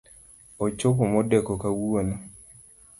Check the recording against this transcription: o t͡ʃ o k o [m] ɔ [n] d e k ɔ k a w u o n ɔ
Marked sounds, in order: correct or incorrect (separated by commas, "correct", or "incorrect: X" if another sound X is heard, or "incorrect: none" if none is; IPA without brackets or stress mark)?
correct, incorrect: none